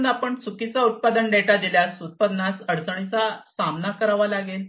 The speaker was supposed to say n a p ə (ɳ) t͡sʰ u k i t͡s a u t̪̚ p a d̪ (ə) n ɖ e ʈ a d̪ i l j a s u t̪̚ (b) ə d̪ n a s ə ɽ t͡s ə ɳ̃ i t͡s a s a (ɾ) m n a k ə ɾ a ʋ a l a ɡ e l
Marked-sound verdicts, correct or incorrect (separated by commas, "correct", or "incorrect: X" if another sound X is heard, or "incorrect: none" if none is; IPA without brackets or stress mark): correct, correct, incorrect: p, incorrect: none